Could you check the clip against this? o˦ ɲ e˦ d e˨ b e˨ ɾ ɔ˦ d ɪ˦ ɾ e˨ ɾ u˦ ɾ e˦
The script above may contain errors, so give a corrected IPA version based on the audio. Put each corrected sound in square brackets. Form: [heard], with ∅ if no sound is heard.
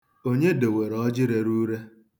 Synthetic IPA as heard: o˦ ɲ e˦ d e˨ [w] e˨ ɾ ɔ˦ [d͡ʒ] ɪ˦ ɾ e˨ ɾ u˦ ɾ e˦